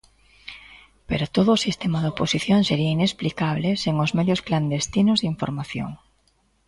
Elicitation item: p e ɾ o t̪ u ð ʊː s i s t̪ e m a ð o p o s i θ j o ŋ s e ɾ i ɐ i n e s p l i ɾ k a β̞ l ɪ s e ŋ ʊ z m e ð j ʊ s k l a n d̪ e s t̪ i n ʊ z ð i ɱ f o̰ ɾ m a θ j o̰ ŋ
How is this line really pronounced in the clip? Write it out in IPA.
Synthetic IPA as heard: p e ɾ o t̪ o ð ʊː s i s t̪ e m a ð o p o s i θ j o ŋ s e ɾ i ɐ i n e s p l i k a β̞ l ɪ s e ŋ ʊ z m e ð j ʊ s k l a n d̪ e s t̪ i n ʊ z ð i ɱ f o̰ ɾ m a θ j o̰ ŋ